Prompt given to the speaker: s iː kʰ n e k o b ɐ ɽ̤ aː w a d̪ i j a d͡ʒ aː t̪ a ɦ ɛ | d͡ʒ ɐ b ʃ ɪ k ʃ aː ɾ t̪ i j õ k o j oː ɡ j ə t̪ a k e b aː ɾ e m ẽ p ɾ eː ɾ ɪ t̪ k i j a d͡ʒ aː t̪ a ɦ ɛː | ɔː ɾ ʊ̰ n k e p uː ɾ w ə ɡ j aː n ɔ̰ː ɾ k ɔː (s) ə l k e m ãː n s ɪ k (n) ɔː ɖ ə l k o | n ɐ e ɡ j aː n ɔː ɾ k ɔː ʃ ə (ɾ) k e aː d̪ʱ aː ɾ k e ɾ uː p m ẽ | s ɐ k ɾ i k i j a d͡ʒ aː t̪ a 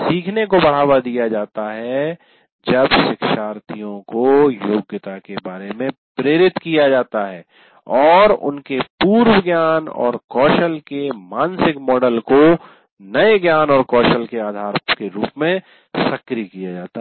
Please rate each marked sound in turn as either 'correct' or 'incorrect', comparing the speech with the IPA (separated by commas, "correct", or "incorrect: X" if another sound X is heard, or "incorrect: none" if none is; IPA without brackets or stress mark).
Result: incorrect: ʃ, incorrect: m, incorrect: l